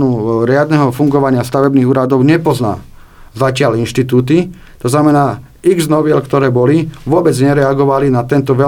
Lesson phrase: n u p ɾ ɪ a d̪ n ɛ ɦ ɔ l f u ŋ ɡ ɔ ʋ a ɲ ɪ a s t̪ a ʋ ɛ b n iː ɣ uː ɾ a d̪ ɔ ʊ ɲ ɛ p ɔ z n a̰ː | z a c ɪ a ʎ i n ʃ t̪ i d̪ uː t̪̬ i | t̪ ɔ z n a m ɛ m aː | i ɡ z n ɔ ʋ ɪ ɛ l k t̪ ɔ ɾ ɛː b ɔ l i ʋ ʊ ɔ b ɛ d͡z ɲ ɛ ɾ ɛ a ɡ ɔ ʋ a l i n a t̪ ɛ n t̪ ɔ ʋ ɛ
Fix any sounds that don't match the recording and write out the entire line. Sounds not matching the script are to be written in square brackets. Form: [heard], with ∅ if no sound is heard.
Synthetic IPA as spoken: n u [∅] ɾ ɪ a d̪ n ɛ ɦ ɔ [∅] f u ŋ ɡ ɔ ʋ a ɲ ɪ a s t̪ a ʋ ɛ b n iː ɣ uː ɾ a d̪ ɔ ʊ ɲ ɛ p ɔ z n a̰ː | z a c ɪ a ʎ i n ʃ t̪ i [t̪] uː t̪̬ i | t̪ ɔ z n a m ɛ [n] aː | i ɡ z n ɔ ʋ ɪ ɛ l k t̪ ɔ ɾ ɛː b ɔ l i ʋ ʊ ɔ b ɛ d͡z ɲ ɛ ɾ ɛ a ɡ ɔ ʋ a l i n a t̪ ɛ n t̪ ɔ ʋ ɛ